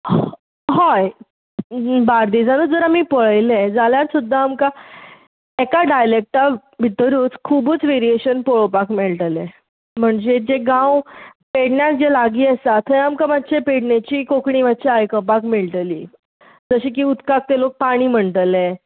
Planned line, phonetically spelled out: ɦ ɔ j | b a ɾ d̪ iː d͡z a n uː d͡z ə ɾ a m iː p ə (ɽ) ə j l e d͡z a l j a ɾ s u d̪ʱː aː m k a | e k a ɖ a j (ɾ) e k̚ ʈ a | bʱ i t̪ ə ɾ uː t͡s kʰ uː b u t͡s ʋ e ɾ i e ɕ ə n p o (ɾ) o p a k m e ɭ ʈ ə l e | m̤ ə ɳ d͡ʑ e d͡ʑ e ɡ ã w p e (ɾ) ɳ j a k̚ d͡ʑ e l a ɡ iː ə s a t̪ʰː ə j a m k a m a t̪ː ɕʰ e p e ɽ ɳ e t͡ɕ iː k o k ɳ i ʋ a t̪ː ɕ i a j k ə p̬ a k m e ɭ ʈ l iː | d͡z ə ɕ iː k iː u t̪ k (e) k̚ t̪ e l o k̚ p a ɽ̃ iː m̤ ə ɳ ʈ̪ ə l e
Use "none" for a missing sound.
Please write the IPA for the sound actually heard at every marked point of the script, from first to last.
ɭ, l, ɭ, ɽ, a

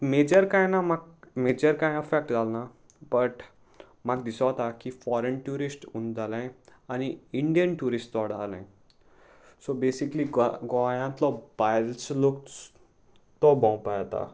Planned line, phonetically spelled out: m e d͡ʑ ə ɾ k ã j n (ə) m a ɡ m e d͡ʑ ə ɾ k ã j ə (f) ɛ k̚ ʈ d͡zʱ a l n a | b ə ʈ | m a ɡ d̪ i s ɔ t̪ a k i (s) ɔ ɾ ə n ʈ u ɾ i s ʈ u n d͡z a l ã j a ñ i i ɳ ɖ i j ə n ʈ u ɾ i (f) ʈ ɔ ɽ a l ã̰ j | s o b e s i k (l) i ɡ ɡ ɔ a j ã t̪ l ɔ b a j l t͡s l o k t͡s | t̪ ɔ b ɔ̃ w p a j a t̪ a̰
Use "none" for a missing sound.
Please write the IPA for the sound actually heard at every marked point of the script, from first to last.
a, f, f, s, l

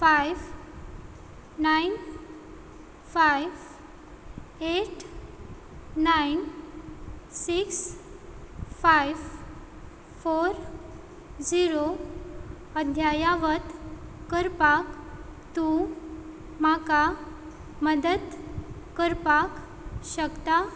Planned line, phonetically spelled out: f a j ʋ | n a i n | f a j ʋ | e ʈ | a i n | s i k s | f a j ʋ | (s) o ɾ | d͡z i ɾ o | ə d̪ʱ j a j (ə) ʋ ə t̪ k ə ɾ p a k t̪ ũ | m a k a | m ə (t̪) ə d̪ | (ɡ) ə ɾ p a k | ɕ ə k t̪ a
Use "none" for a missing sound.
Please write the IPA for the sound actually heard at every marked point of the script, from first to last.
f, a, d̪, k

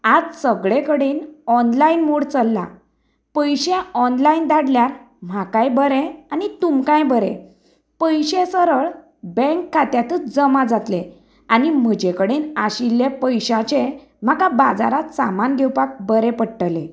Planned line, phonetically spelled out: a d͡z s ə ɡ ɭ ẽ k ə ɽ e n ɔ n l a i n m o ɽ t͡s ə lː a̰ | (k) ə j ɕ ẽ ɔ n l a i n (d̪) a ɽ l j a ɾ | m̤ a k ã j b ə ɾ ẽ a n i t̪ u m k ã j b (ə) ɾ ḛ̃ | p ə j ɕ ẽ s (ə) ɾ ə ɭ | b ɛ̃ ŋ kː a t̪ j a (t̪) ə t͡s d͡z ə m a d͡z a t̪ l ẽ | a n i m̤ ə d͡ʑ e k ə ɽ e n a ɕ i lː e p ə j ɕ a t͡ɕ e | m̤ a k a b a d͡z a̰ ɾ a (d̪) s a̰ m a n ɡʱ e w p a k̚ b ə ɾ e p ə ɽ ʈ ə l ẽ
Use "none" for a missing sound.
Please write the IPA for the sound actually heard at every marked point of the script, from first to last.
p, d̪, ə, ə, t̪, t̪

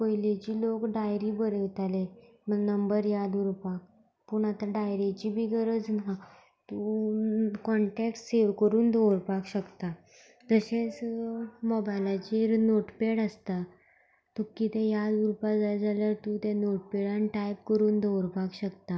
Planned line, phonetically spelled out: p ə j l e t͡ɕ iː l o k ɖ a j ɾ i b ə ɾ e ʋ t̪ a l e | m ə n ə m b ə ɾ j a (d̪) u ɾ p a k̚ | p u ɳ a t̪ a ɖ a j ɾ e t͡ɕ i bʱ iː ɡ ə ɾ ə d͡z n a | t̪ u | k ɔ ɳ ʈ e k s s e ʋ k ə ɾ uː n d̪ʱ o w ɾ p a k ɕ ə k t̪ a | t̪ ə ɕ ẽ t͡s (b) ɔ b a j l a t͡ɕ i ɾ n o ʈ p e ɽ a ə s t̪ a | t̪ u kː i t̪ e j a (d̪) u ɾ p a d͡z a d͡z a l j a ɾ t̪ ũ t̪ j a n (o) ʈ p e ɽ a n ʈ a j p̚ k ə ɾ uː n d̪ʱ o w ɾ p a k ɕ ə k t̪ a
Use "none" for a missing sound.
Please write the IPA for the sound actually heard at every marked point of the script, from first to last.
d̪, m, d̪, o

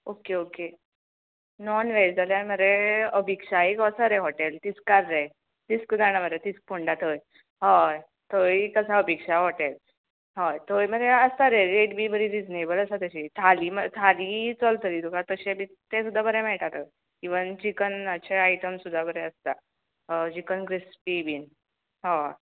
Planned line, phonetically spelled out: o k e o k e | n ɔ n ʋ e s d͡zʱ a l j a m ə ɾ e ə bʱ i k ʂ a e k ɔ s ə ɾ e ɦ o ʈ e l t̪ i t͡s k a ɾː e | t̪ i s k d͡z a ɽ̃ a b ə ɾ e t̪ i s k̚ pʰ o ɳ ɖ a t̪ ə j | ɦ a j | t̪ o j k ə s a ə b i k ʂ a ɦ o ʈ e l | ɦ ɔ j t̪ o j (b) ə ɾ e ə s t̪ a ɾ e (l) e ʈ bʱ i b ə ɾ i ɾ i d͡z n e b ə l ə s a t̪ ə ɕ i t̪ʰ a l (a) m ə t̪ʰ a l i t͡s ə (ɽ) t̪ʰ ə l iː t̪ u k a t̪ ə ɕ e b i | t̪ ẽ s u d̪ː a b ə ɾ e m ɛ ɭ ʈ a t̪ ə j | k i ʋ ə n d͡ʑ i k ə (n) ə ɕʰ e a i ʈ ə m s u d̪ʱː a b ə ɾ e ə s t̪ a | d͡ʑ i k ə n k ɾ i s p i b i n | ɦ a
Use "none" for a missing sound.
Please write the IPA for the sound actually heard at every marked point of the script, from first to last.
m, ɾ, i, l, n

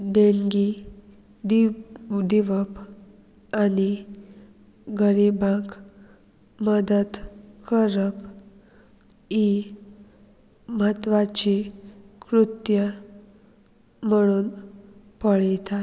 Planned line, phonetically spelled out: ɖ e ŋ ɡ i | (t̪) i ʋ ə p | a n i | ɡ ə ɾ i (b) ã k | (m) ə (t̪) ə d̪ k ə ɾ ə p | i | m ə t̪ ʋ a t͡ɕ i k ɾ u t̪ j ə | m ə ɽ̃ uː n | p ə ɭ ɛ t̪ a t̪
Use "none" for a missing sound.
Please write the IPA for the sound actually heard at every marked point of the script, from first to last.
d̪, b, m, d̪

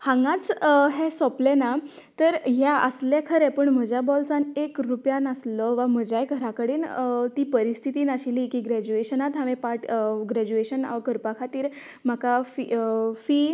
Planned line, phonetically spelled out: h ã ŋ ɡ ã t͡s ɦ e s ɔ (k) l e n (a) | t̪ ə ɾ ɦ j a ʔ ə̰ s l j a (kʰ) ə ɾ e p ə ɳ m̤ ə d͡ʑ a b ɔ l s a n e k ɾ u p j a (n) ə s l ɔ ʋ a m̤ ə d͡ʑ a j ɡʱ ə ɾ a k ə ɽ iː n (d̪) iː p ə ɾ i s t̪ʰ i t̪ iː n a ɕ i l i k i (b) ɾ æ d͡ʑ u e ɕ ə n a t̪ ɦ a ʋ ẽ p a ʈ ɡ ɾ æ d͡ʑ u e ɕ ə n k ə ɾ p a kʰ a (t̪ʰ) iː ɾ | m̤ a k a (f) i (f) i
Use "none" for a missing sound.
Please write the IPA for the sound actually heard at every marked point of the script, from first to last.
p, a, kʰ, n, t̪, ɡ, t̪, f, f

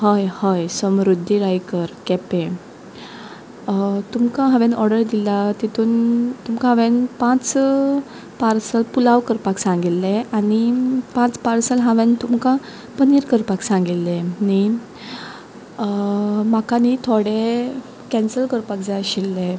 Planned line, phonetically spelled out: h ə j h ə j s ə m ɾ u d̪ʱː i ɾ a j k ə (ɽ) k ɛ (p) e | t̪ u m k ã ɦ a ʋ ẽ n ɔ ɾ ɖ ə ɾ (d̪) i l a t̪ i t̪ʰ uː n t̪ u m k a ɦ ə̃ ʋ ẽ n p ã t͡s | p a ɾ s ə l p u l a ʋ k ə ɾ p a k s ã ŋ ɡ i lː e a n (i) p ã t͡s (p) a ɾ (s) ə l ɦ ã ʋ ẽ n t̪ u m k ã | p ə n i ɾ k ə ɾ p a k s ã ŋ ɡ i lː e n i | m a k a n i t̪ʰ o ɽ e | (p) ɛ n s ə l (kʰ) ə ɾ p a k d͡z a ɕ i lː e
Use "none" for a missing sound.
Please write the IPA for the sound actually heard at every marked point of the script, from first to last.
ɾ, p, d̪, i, p, s, k, k

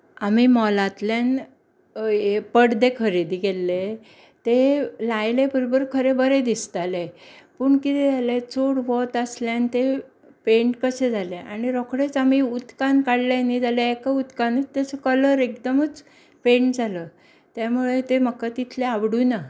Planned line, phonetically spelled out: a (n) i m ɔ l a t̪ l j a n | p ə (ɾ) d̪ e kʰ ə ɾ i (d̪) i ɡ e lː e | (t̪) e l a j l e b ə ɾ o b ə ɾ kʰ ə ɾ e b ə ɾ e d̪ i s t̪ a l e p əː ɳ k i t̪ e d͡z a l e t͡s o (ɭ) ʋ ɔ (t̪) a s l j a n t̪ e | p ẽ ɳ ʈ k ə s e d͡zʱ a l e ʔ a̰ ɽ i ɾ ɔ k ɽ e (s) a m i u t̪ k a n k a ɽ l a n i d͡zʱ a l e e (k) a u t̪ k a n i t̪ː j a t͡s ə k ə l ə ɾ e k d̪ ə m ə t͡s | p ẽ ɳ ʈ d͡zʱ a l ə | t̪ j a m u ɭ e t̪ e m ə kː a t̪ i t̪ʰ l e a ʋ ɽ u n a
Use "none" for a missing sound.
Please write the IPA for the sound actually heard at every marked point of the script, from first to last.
m, ɽ, d̪, t̪, ɽ, t̪, t͡s, k

